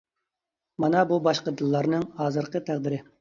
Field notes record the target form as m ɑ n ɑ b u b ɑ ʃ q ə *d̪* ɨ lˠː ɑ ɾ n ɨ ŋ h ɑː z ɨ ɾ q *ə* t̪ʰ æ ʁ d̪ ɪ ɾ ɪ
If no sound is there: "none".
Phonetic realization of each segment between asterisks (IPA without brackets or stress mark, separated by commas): d̪, ə